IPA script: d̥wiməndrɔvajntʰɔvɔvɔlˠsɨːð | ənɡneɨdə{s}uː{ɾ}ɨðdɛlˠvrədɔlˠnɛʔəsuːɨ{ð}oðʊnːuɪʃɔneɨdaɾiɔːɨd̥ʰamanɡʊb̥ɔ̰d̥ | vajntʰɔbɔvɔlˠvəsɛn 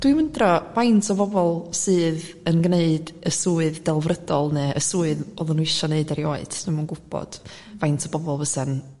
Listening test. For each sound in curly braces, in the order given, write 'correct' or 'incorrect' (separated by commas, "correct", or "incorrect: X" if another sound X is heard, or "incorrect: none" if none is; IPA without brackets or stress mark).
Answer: correct, incorrect: none, correct